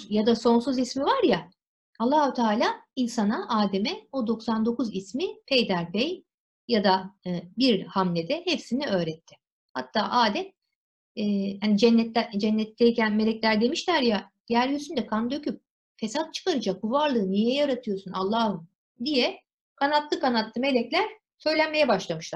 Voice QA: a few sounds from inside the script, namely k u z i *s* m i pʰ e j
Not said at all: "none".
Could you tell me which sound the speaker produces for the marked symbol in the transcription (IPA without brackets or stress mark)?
s